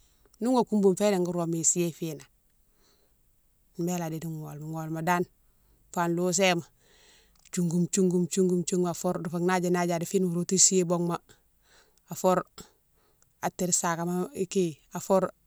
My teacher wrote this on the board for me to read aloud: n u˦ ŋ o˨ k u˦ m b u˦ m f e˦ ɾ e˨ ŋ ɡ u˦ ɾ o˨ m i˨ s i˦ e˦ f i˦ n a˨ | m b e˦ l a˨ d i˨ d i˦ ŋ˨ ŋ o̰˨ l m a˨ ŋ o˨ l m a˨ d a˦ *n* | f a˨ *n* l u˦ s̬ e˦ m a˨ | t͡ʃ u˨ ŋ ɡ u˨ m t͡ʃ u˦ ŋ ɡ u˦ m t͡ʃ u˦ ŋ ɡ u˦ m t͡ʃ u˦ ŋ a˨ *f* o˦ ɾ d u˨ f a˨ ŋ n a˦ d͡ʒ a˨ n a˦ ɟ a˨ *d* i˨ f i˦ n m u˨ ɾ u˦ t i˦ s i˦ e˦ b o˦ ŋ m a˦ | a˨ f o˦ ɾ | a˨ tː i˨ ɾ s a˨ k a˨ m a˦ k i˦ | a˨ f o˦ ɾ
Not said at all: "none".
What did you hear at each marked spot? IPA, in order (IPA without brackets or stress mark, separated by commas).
n, n, f, d